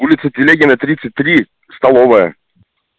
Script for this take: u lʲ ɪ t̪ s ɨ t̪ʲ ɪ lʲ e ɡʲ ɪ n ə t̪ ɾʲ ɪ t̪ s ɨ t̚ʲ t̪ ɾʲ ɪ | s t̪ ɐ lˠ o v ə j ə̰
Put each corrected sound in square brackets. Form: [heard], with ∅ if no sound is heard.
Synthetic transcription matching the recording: u lʲ ɪ t̪ s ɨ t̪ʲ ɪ lʲ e ɡʲ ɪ n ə t̪ ɾʲ [i] t̪ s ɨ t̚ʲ t̪ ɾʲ [i] | s t̪ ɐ lˠ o v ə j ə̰